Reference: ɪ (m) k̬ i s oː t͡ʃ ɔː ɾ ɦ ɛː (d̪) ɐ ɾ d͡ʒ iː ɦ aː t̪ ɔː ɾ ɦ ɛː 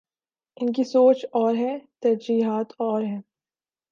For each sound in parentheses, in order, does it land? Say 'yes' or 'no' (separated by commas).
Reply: no, no